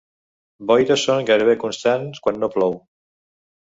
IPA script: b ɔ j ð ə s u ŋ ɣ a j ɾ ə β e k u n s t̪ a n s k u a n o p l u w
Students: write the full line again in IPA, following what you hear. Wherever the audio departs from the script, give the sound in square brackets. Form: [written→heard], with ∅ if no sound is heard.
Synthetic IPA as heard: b ɔ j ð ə s [u→o] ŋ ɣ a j ɾ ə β e k u n s t̪ a n s k [u→w] a [n→nː] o p l [u→ɔ] w